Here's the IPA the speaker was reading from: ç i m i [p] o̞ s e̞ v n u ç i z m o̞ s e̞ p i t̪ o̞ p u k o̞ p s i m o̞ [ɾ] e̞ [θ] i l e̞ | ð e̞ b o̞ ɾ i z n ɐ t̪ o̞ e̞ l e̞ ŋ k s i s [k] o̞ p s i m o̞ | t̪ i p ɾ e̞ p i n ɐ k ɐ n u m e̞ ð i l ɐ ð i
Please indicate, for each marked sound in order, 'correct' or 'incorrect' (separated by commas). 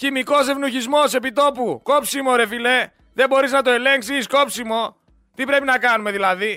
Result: incorrect, correct, incorrect, correct